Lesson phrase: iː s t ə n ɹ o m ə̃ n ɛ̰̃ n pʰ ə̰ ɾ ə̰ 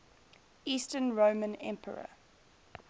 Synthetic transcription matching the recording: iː s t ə n ɹ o m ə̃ n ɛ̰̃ m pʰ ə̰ ɹ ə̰